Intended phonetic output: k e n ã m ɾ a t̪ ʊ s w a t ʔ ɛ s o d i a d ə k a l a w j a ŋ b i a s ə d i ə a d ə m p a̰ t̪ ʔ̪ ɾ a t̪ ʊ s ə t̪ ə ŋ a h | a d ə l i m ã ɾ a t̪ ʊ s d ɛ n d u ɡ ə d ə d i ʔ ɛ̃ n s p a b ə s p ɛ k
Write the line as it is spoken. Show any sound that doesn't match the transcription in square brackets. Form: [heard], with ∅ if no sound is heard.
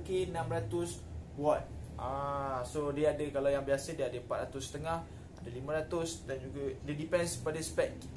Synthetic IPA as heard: k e n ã m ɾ a t̪ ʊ s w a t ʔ [a] s o d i a d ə k a l a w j a ŋ b i a s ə d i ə a d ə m p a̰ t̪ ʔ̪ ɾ a t̪ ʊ s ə t̪ ə ŋ a h | a d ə l i m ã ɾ a t̪ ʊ s d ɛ n [d͡ʒ] u ɡ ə d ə d i [p] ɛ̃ n s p a [d] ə s p ɛ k